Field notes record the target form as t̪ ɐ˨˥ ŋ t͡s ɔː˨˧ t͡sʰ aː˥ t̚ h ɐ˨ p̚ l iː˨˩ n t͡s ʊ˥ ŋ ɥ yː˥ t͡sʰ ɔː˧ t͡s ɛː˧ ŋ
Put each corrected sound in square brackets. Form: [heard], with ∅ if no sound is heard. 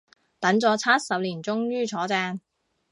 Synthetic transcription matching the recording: t̪ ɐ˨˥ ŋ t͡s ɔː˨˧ t͡sʰ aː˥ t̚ [s] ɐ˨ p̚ l iː˨˩ n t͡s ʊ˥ ŋ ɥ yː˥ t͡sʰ [ɔː˨˥] t͡s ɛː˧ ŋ